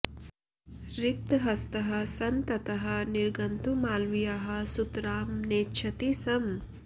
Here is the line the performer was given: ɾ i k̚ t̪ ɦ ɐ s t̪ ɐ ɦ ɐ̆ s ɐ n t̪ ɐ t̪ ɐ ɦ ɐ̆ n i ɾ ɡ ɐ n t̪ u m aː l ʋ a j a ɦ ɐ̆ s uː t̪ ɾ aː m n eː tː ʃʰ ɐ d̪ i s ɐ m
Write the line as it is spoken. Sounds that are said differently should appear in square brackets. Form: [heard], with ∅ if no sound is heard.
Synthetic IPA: ɾ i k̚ t̪ ɦ ɐ s t̪ ɐ ɦ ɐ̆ s ɐ n t̪ ɐ t̪ ɐ ɦ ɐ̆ n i ɾ ɡ ɐ n t̪ u m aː l ʋ [i] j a ɦ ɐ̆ s [u] t̪ ɾ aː m n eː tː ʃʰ ɐ [t̪] i s ɐ m